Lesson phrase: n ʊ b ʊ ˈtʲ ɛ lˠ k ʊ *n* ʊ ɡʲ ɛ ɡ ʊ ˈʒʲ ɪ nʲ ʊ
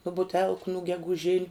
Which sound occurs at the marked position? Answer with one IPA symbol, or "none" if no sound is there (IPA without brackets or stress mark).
n